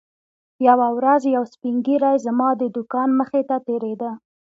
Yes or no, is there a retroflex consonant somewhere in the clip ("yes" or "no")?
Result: no